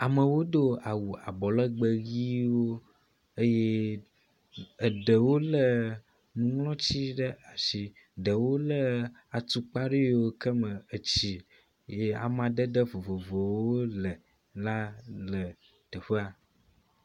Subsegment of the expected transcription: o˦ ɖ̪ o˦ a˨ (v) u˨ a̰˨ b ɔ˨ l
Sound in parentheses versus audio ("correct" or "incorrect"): incorrect